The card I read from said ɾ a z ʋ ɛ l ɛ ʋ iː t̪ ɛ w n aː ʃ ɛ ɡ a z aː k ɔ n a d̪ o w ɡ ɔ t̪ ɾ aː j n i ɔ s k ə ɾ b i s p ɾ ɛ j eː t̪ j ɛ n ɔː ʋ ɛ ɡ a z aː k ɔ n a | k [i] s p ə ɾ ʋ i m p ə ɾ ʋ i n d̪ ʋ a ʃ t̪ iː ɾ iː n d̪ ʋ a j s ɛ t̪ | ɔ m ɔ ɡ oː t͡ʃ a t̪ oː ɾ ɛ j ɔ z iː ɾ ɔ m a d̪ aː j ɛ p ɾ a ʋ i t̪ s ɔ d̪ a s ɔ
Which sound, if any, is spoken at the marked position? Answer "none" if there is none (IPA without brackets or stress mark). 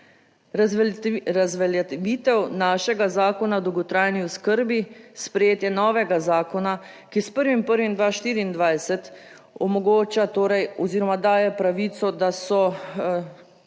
i